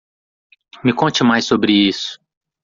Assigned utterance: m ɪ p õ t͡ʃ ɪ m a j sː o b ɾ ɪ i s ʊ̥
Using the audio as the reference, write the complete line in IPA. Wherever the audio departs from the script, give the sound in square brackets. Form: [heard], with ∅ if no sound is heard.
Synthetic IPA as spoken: m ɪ [k] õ t͡ʃ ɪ m a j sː o b ɾ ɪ i s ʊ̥